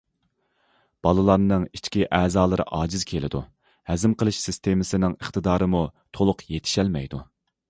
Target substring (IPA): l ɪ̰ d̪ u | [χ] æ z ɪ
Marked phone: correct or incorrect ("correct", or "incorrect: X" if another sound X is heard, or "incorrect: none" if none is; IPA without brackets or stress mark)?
incorrect: h